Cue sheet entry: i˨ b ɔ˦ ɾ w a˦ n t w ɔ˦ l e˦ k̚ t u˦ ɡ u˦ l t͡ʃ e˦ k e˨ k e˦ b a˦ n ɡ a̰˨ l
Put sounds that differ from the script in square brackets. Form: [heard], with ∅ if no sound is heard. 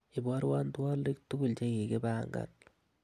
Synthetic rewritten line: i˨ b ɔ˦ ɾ w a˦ n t w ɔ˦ l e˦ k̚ t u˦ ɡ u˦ l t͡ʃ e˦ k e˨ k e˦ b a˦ [ŋ] ɡ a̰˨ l